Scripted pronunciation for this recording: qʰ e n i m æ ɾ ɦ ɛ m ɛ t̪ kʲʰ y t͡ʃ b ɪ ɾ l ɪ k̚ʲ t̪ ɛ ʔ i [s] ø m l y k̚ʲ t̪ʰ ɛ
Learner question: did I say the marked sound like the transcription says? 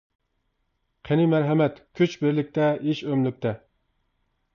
no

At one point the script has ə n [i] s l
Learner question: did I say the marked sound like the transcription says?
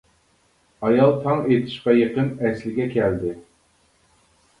no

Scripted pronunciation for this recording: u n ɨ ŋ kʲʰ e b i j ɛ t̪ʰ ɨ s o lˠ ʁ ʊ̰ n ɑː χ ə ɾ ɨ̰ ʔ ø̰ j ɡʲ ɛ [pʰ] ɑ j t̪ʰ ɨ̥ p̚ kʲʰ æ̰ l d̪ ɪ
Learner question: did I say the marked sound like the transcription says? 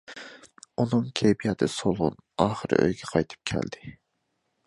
no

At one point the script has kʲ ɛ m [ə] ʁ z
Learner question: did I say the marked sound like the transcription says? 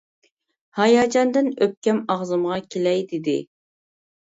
no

